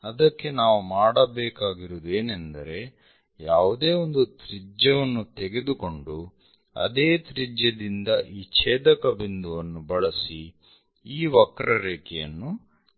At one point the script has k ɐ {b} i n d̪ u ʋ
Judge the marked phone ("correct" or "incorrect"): correct